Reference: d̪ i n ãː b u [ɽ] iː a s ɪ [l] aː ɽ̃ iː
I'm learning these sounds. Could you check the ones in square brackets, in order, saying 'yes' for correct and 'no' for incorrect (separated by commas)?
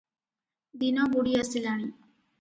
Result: yes, yes